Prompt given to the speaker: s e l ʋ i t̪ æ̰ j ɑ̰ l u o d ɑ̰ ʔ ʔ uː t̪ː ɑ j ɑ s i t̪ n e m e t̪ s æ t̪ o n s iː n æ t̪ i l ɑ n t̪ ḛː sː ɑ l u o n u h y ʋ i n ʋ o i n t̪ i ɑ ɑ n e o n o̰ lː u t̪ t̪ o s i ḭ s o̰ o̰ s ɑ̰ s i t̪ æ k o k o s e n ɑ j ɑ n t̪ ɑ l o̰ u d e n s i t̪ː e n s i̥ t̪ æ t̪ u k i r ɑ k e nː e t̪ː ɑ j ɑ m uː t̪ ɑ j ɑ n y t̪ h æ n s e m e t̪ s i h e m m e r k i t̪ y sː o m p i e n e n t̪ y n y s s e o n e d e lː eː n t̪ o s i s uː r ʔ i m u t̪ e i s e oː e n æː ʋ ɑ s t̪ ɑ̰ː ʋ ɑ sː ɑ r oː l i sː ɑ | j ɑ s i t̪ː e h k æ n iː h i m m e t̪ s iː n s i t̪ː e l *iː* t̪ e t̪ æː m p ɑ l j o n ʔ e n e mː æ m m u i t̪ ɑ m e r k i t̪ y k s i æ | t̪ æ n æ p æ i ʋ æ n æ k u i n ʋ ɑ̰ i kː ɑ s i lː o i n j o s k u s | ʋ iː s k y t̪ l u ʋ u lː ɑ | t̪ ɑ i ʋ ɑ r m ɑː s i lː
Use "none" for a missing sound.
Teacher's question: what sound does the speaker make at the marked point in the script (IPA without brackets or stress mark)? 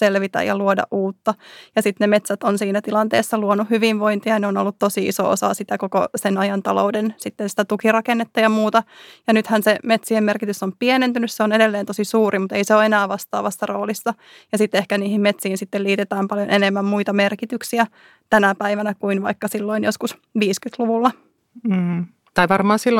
iː